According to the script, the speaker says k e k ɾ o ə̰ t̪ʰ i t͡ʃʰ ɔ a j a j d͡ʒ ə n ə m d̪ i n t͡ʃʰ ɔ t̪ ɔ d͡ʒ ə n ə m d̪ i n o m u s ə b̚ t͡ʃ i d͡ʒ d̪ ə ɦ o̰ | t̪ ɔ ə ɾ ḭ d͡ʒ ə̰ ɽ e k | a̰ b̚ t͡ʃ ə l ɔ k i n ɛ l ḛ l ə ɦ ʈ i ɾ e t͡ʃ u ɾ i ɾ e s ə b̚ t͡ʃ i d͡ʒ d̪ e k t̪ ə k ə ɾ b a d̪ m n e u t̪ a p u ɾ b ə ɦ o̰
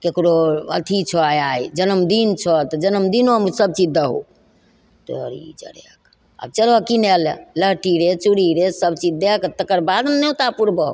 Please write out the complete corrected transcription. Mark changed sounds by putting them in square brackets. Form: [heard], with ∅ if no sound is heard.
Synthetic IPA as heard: k e k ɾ o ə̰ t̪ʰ i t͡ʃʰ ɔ a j a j d͡ʒ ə n ə m d̪ i n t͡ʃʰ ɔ t̪ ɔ d͡ʒ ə n ə m d̪ i n o m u s ə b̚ t͡ʃ i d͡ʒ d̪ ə ɦ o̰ | t̪ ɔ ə ɾ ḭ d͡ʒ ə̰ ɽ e k | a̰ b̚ t͡ʃ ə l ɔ k i n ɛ l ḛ l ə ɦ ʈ i ɾ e t͡ʃ u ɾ i ɾ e s ə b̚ t͡ʃ i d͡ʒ d̪ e k t̪ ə k ə ɾ b a d̪ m n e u t̪ a p u ɾ b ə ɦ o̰